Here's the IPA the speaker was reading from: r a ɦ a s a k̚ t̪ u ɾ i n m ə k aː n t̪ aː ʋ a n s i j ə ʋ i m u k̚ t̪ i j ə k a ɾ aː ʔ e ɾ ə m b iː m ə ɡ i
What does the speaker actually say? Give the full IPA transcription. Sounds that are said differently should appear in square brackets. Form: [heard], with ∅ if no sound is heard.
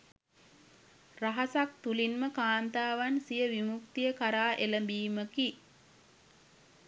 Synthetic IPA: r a ɦ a s a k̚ t̪ u [l] i n m ə k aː n t̪ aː ʋ a n s i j ə ʋ i m u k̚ t̪ i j ə k a ɾ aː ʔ e [l] ə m b iː m ə [k] i